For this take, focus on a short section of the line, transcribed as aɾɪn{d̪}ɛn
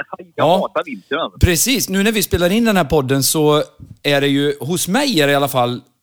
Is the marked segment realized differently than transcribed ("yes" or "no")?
no